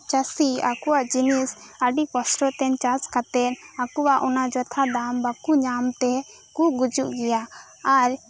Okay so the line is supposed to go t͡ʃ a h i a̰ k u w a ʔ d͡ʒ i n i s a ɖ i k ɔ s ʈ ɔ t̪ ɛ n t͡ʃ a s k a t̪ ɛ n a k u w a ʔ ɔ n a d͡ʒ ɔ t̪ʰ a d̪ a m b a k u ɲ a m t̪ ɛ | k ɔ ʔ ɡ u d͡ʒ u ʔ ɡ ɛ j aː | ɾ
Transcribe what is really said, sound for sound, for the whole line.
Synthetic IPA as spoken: t͡ʃ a s i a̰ k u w a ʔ d͡ʒ i n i s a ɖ i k ɔ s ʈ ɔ t̪ ɛ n t͡ʃ a s k a t̪ ɛ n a k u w a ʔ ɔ n a d͡ʒ ɔ t̪ʰ a d̪ a m b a k u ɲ a m t̪ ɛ | k u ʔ ɡ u d͡ʒ u ʔ ɡ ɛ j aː | ɾ